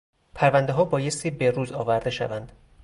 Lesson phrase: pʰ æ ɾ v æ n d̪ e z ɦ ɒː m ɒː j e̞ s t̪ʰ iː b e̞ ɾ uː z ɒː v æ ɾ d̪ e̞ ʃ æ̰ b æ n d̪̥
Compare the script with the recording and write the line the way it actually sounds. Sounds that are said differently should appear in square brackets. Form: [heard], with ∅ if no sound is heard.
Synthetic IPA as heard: pʰ æ ɾ v æ n d̪ e [∅] ɦ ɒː [b] ɒː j e̞ s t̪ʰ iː b e̞ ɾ uː z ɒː v æ ɾ d̪ e̞ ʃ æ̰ [v] æ n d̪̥